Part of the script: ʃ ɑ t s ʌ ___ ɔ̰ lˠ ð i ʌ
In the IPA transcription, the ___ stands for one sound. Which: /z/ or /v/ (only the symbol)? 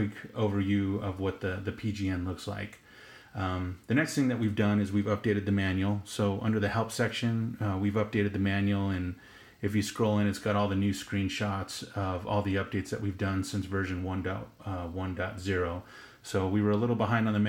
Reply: v